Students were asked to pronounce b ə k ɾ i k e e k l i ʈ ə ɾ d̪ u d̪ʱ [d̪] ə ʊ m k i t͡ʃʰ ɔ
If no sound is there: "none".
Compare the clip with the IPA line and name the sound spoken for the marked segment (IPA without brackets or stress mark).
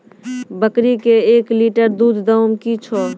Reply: d̪